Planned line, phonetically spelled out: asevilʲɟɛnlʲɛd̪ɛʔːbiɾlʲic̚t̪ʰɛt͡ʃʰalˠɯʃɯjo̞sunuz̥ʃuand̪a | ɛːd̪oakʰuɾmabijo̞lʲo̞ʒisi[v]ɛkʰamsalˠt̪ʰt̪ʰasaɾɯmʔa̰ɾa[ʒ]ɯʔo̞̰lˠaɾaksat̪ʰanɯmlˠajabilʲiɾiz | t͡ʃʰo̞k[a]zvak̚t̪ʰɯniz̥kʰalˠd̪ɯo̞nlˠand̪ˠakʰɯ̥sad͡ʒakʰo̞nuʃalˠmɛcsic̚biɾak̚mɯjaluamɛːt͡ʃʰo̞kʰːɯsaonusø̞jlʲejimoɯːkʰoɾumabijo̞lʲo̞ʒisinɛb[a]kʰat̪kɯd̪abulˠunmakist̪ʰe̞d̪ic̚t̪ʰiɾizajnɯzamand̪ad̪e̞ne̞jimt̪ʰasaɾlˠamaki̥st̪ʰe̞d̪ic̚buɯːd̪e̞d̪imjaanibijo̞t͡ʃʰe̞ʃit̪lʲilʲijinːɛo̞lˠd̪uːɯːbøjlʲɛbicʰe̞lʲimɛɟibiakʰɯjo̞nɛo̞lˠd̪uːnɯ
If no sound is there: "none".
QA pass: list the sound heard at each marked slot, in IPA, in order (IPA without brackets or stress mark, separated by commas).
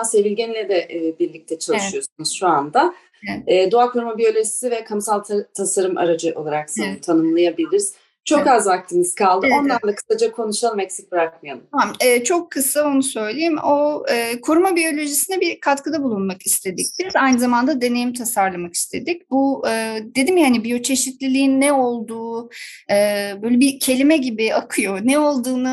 v, d͡ʒ, a, i